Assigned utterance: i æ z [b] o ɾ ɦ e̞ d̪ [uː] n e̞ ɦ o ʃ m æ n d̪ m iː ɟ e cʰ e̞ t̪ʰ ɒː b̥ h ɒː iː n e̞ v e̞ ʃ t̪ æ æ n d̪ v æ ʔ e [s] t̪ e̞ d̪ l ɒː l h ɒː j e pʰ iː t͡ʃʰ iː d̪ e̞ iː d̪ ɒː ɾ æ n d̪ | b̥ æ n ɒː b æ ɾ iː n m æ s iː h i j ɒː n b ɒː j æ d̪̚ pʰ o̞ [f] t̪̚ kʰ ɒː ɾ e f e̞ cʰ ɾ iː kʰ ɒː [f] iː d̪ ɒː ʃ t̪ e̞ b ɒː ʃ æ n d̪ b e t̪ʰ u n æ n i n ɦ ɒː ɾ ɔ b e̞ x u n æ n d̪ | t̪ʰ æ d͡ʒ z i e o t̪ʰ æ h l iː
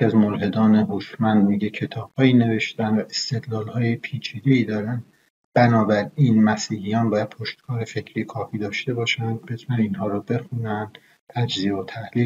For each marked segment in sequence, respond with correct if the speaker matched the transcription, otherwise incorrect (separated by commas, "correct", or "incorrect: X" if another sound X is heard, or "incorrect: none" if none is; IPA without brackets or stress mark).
incorrect: m, incorrect: ɒː, correct, incorrect: ʃ, correct